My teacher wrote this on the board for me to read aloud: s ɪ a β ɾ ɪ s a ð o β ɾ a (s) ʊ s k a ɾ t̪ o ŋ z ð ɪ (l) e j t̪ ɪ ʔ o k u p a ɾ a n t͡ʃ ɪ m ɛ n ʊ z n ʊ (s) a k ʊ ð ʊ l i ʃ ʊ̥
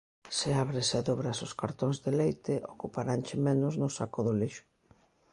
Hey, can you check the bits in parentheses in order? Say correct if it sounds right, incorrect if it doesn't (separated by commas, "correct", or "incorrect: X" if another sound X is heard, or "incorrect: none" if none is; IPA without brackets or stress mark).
correct, correct, correct